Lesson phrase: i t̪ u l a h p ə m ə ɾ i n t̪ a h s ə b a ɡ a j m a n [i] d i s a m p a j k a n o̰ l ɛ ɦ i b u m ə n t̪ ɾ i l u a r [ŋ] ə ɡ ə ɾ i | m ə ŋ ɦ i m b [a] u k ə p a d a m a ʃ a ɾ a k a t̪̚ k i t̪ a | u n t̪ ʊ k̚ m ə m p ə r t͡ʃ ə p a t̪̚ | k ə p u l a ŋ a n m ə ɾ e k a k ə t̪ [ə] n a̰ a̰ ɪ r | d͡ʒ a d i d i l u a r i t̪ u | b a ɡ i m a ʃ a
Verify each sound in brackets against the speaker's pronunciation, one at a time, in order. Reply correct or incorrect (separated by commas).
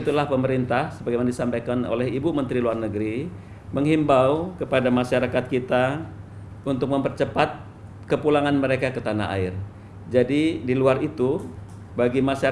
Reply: incorrect, incorrect, correct, incorrect